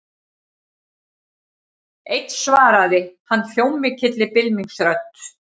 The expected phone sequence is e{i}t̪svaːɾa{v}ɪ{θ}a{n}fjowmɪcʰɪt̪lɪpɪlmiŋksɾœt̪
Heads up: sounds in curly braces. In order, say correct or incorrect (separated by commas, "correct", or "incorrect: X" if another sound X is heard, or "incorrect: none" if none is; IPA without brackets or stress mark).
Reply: incorrect: j, incorrect: ð, incorrect: h, incorrect: nː